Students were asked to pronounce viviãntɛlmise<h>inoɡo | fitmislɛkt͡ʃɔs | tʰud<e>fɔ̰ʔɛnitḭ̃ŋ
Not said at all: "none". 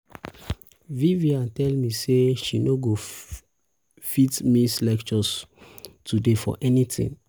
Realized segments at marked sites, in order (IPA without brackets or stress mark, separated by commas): ʃ, e